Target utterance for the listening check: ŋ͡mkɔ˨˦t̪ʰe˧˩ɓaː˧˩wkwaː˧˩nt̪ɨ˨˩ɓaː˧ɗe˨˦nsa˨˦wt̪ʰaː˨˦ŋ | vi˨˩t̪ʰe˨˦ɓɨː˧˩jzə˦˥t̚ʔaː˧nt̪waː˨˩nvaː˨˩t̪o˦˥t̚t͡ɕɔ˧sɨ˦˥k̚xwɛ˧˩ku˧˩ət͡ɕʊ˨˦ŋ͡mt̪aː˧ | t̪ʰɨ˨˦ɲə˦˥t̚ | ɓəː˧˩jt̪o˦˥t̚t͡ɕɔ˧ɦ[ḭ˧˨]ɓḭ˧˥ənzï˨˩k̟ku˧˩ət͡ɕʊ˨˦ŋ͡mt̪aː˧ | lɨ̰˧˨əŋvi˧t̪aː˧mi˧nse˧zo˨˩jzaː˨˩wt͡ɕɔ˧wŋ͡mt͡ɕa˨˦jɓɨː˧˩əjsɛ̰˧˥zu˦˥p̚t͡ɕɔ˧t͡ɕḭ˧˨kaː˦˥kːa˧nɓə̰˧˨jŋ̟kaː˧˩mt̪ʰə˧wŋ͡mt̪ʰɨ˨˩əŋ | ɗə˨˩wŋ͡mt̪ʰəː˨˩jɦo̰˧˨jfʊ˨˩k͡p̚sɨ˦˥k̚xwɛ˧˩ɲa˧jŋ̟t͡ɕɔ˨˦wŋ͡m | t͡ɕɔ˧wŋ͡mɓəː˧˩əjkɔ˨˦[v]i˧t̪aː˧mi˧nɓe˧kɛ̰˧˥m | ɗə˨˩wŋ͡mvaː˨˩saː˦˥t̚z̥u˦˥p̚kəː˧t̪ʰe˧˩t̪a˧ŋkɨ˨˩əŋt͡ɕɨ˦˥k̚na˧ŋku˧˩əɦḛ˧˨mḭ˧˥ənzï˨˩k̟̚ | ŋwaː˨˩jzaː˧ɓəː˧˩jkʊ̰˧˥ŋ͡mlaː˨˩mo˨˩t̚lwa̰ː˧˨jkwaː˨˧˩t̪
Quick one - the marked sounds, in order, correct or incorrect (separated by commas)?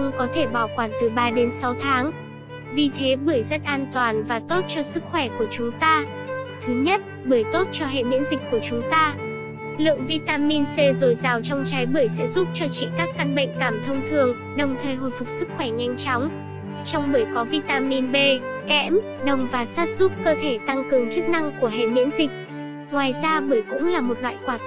incorrect, correct